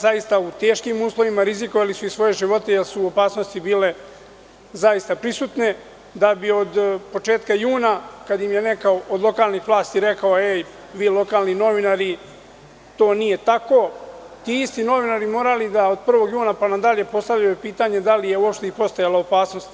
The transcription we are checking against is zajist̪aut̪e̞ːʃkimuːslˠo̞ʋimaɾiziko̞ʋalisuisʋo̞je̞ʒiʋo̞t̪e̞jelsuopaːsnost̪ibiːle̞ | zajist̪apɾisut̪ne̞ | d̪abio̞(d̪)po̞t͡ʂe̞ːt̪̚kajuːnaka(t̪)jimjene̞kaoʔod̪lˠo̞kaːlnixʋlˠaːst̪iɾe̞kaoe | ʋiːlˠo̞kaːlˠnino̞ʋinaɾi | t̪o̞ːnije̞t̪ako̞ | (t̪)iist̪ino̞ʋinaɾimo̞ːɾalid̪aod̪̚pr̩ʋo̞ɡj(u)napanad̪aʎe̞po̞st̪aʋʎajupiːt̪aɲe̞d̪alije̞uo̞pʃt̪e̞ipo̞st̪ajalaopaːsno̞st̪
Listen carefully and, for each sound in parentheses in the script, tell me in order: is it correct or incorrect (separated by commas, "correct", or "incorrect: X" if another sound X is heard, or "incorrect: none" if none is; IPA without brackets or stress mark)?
correct, incorrect: d̪, correct, incorrect: uː